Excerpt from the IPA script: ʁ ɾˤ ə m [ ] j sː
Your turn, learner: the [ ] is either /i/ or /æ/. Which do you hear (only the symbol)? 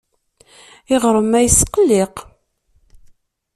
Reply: æ